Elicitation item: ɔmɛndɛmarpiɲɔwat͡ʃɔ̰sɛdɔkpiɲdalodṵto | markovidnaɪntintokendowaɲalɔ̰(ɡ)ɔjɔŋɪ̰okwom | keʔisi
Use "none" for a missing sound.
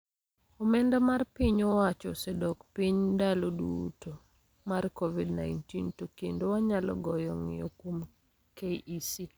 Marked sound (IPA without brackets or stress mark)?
ɡ